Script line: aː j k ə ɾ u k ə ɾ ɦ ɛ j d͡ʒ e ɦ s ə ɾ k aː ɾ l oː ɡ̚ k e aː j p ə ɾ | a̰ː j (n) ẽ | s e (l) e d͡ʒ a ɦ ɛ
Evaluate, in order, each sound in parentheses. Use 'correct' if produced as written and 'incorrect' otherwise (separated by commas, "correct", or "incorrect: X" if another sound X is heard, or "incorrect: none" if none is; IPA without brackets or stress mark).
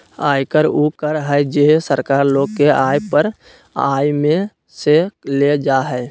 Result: incorrect: m, correct